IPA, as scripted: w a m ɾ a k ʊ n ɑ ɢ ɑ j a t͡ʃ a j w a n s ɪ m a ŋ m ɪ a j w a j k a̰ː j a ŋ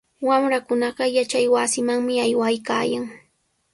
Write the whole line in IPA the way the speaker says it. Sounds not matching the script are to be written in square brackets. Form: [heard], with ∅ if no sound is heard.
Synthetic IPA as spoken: w a m ɾ a k ʊ n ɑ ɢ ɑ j a t͡ʃ a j w a [∅] s ɪ m a ŋ m ɪ a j w a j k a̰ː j a ŋ